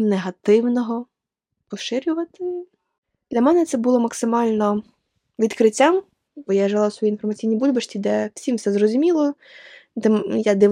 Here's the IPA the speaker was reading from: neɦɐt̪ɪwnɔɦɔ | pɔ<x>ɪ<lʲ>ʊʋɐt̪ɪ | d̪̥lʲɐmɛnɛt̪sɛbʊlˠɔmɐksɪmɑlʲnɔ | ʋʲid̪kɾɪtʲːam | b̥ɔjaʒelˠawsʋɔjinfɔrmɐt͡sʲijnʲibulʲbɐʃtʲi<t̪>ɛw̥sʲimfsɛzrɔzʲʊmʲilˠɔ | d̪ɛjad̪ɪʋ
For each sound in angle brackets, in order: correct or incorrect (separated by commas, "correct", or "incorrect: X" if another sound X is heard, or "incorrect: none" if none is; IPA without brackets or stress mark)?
incorrect: ʃ, incorrect: ɾʲ, incorrect: d̪